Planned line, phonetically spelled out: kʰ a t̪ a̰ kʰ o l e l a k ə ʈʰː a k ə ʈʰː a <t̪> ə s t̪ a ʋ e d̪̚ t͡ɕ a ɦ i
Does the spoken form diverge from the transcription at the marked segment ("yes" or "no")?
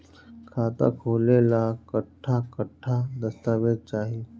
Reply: yes